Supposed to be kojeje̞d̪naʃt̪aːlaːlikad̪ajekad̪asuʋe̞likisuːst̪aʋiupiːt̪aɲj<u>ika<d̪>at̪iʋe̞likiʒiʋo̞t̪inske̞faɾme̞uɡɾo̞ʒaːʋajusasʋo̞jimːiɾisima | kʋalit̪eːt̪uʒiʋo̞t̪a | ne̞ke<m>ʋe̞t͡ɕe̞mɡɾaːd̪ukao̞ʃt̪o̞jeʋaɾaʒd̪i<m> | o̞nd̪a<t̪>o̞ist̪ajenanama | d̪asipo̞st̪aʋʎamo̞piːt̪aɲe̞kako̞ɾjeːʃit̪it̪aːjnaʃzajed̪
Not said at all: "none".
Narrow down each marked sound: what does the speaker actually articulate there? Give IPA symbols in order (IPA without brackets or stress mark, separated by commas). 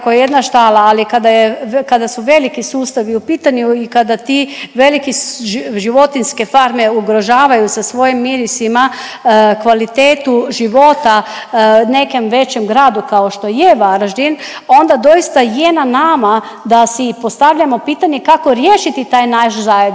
u, d̪, m, n, d̪